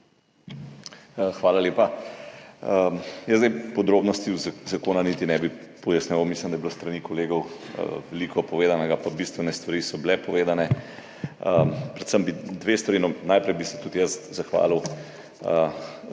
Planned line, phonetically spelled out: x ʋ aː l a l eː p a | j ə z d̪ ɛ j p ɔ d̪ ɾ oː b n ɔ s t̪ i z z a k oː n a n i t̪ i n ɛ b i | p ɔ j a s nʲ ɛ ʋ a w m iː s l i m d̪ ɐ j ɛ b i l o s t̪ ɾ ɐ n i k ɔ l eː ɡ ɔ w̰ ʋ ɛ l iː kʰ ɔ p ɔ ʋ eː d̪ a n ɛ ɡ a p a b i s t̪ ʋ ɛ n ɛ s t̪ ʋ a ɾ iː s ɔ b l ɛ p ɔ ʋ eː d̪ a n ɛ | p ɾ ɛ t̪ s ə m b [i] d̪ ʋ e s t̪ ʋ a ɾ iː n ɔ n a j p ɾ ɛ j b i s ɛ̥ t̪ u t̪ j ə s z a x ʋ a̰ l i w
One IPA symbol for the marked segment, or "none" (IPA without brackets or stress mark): i